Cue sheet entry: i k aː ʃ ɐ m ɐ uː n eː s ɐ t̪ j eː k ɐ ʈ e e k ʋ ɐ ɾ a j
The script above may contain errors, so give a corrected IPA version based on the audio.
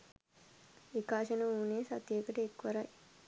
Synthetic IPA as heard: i k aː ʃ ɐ n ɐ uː n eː s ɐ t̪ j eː k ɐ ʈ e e k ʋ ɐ ɾ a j